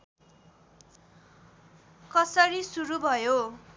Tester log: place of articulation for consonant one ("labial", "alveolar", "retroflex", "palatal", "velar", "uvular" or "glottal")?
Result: velar